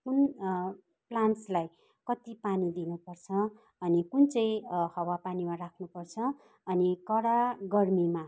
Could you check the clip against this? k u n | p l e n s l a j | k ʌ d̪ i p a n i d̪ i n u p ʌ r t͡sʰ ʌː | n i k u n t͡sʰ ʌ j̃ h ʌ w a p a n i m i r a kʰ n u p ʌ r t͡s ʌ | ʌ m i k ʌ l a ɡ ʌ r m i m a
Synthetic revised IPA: k u n | p l a n s l a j | k ʌ t̪ i p a n i d̪ i n u p ʌ r t͡sʰ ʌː | n i k u n t͡s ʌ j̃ h ʌ w a p a n i m a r a kʰ n u p ʌ r t͡sʰ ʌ | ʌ n i k ʌ ɽ a ɡ ʌ r m i m a

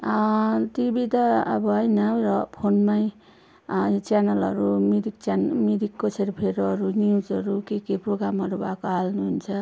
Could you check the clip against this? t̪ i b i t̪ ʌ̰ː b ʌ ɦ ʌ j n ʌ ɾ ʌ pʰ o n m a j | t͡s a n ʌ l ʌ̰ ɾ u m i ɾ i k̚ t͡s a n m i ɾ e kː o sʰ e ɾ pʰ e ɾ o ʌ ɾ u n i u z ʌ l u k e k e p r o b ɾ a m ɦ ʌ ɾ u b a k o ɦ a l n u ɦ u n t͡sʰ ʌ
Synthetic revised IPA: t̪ i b i t̪ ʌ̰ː b ʌ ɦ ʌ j n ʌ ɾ ʌ pʰ o n m a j | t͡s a n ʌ l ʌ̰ ɾ u m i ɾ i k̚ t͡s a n m i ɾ i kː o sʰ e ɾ pʰ e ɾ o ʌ ɾ u n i u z ʌ ɾ u k e k e p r o ɡ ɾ a m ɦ ʌ ɾ u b a k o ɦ a l n u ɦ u n t͡sʰ ʌ

